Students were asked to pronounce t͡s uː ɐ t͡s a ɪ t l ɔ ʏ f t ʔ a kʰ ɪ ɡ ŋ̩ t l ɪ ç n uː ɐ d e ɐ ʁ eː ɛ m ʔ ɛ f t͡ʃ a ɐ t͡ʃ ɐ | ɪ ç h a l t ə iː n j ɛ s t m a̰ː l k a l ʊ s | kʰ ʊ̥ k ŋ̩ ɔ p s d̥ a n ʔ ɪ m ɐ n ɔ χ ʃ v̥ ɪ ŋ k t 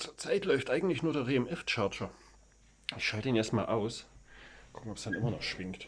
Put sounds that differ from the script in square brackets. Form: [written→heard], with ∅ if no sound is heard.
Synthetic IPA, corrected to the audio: t͡s uː ɐ t͡s a ɪ t l ɔ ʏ f t ʔ a [kʰ→∅] ɪ ɡ ŋ̩ t l ɪ ç n uː ɐ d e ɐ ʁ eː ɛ m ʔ ɛ f t͡ʃ a ɐ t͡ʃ ɐ | ɪ ç [h→ʃ] a l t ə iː n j ɛ s t m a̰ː l [k→ʔ] a [l→∅] ʊ s | kʰ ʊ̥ k ŋ̩ ɔ p s d̥ a n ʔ ɪ m ɐ n ɔ χ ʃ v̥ ɪ ŋ k t